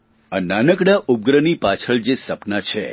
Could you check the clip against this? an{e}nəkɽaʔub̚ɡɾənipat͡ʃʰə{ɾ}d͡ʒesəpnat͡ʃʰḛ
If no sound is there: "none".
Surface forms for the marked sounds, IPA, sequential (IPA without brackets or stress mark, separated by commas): a, ɭ